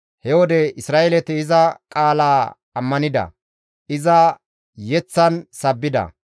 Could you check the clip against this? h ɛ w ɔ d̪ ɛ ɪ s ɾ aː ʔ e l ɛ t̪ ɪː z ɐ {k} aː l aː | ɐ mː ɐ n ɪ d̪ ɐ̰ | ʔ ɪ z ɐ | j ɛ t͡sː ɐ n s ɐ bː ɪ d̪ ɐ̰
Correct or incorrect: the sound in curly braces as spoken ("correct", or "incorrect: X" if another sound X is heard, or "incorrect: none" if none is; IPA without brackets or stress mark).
incorrect: kʼ